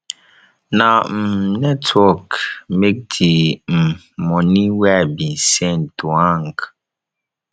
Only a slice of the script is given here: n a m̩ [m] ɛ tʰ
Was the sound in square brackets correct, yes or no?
no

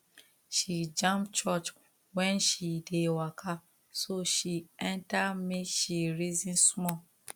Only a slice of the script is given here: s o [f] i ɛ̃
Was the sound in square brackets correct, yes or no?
no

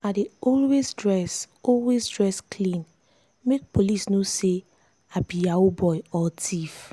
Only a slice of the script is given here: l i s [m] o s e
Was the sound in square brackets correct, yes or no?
no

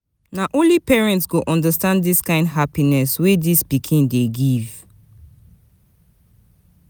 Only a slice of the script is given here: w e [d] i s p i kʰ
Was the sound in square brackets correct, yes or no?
yes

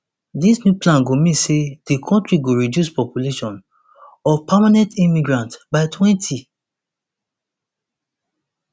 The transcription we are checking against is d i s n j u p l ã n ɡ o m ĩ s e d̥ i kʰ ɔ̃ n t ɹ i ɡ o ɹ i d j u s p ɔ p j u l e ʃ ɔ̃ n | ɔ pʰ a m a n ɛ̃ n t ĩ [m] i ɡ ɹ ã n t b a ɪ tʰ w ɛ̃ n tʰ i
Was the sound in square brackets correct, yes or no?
yes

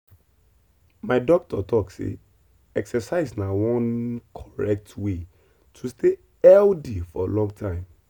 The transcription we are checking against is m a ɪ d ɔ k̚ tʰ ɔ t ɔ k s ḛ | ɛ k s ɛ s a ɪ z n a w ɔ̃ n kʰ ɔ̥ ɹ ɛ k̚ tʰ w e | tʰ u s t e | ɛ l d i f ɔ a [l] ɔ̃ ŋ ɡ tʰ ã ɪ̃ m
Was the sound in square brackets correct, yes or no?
yes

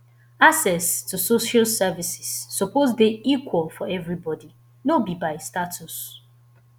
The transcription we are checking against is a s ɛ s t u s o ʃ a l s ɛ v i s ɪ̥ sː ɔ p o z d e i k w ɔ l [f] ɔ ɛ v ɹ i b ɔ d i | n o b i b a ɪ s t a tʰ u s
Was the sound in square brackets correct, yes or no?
yes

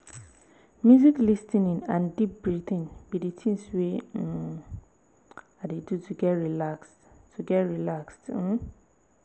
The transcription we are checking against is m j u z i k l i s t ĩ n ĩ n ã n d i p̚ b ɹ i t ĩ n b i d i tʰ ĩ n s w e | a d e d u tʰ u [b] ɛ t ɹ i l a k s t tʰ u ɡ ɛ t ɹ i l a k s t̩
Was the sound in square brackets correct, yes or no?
no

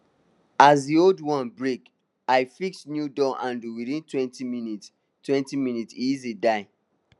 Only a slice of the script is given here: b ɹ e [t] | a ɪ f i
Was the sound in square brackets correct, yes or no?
no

